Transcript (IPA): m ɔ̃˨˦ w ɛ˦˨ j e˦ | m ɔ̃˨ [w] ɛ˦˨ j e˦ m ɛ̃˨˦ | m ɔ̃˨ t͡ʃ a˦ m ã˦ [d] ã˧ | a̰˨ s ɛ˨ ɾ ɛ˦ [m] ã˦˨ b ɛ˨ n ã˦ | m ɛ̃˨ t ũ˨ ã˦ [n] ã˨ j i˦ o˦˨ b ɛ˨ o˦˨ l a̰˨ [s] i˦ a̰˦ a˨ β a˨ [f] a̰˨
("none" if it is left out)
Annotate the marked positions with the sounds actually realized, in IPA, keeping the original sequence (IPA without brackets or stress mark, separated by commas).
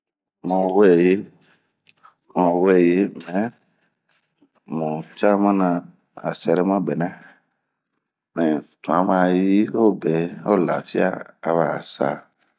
w, n, m, m, f, s